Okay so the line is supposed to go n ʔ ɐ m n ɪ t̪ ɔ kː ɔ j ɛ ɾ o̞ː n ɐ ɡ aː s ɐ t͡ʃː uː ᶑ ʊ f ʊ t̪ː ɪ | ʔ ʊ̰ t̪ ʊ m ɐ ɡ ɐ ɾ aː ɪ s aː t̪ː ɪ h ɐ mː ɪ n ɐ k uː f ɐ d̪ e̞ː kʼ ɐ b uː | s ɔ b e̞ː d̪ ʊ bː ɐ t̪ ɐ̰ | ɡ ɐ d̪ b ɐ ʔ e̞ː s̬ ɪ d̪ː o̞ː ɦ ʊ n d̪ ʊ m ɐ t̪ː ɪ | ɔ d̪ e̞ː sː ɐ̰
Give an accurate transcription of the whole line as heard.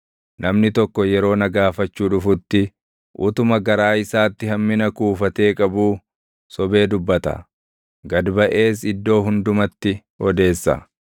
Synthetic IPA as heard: n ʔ ɐ m n ɪ t̪ ɔ kː ɔ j ɛ ɾ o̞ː n ɐ ɡ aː f ɐ t͡ʃː uː ᶑ ʊ f ʊ t̪ː ɪ | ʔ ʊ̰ t̪ ʊ m ɐ ɡ ɐ ɾ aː ɪ s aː t̪ː ɪ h ɐ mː ɪ n ɐ k uː f ɐ t̪ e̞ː kʼ ɐ b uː | s ɔ b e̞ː d̪ ʊ bː ɐ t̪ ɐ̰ | ɡ ɐ d̪ b ɐ ʔ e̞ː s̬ ɪ d̪ː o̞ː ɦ ʊ n d̪ ʊ m ɐ t̪ː ɪ | ɔ d̪ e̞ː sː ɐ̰